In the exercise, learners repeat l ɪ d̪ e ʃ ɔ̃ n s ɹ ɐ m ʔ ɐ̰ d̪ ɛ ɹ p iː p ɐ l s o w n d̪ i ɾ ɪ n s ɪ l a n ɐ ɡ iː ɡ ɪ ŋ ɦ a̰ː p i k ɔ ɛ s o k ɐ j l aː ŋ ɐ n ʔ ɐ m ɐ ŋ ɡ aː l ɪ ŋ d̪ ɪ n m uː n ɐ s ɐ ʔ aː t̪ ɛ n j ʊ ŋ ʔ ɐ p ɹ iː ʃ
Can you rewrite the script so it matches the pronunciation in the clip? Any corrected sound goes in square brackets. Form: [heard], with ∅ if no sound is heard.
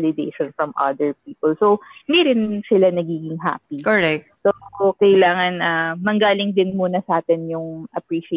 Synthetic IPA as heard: l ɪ d̪ e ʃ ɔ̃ n [f] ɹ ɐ m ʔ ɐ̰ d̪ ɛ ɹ p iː p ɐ l s o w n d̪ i ɾ ɪ n s ɪ l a n ɐ ɡ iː ɡ ɪ ŋ ɦ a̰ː p i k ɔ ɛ s o k ɐ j l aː ŋ ɐ n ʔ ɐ m ɐ ŋ ɡ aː l ɪ ŋ d̪ ɪ n m uː n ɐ s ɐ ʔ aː t̪ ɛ n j ʊ ŋ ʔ ɐ p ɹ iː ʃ